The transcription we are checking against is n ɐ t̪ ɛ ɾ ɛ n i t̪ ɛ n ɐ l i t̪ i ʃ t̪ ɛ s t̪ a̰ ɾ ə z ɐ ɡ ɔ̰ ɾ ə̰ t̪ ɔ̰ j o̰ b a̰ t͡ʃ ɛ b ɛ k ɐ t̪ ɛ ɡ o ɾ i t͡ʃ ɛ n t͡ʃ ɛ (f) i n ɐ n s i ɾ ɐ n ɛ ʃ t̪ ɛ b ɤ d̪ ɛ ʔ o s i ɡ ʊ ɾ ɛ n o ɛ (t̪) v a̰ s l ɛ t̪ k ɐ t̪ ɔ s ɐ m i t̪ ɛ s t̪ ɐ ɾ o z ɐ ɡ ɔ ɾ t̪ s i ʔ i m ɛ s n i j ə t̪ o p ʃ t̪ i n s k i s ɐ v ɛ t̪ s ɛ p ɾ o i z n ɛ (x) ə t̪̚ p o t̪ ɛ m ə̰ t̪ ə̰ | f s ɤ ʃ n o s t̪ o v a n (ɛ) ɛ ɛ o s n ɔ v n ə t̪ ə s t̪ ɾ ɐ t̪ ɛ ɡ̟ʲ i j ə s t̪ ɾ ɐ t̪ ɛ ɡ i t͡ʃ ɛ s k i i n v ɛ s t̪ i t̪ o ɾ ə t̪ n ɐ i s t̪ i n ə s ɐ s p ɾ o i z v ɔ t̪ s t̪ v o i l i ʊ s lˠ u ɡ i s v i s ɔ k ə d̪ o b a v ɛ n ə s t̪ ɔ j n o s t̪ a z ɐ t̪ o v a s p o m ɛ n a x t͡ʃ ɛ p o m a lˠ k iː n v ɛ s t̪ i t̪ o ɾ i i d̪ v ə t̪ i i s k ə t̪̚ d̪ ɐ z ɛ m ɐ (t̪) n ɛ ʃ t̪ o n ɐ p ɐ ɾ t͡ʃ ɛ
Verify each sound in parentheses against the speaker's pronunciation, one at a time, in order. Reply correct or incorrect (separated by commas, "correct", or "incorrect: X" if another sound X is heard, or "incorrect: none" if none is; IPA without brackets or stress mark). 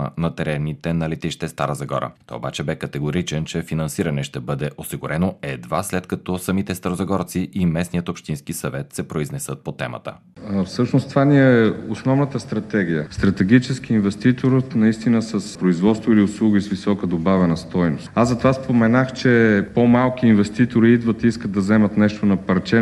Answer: correct, incorrect: d̪, incorrect: s, incorrect: i, correct